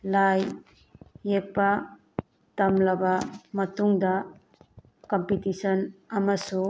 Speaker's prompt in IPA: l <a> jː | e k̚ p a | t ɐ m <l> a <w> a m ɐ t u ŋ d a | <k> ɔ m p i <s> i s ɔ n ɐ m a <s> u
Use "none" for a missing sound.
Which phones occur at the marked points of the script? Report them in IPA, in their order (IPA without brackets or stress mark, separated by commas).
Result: a, l, b, k, t, s